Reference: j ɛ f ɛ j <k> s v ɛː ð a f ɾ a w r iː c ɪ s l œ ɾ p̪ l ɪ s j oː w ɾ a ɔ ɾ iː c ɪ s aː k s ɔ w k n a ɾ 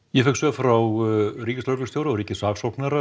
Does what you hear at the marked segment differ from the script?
no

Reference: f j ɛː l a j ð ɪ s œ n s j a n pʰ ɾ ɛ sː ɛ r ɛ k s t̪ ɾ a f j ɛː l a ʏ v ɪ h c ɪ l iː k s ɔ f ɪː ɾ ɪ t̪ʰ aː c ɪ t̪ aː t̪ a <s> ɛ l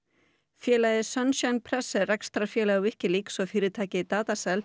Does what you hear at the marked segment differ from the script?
no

